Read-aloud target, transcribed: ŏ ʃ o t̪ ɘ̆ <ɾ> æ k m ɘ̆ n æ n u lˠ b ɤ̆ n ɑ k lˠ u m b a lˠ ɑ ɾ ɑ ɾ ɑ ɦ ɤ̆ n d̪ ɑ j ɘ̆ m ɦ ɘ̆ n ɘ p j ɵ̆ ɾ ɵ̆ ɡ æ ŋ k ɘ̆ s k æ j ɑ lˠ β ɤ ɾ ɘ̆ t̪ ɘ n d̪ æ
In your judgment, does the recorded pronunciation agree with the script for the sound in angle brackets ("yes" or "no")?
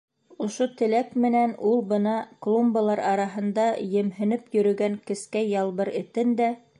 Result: no